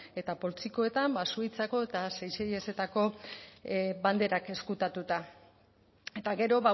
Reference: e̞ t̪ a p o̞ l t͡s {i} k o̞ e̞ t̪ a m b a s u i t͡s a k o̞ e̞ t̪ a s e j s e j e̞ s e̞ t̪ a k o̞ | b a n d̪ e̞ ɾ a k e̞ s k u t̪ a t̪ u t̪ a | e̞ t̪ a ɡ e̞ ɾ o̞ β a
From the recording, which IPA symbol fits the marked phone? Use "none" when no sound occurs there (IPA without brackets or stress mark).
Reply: i